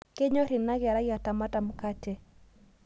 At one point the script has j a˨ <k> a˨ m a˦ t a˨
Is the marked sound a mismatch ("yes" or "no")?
yes